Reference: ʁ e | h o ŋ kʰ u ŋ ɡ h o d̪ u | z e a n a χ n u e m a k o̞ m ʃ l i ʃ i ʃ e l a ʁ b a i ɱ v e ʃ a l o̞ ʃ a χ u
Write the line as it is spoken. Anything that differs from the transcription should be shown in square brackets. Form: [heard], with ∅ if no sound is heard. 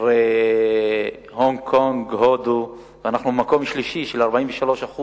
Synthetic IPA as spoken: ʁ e | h o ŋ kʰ [o] ŋ ɡ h o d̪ u | [v] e a n a χ n u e m a k o̞ m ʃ l i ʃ i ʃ e l a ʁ b a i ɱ v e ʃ a l o̞ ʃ a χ u